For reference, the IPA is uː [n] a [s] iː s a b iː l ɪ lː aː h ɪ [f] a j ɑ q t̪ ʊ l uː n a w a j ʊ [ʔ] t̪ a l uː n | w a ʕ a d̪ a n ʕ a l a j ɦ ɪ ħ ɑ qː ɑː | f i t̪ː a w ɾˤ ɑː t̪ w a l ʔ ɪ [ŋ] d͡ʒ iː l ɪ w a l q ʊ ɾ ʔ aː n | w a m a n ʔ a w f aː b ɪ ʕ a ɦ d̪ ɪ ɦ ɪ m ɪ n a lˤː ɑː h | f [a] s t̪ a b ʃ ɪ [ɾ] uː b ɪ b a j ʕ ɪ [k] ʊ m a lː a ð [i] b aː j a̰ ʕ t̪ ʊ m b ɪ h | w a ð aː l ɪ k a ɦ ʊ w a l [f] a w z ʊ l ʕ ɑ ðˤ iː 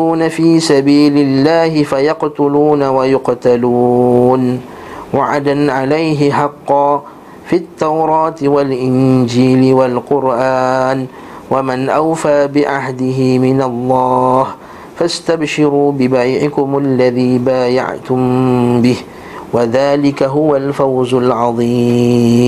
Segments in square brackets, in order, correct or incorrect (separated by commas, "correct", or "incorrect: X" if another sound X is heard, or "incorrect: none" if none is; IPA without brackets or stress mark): correct, incorrect: f, correct, incorrect: q, incorrect: n, correct, correct, correct, incorrect: iː, correct